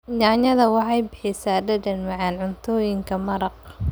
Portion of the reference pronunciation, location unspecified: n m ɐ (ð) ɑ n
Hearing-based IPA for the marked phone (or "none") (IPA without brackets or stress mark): ʕ